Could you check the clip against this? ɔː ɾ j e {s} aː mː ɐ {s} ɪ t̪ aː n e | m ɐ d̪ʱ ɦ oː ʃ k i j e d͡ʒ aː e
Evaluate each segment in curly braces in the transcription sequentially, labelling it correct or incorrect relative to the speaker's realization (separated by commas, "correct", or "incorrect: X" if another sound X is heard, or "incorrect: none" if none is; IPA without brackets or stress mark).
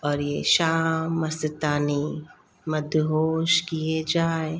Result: incorrect: ʃ, correct